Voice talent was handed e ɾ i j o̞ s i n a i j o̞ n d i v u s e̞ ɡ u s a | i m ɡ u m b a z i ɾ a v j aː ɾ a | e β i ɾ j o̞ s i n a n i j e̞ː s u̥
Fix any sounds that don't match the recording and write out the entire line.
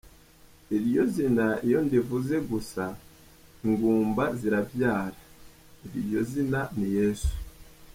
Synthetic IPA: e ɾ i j o̞ z i n a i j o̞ n d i v u z e̞ ɡ u s a | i ŋ ɡ uː m b a z i ɾ a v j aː ɾ a | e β i ɾ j o̞ z i n a n i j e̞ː s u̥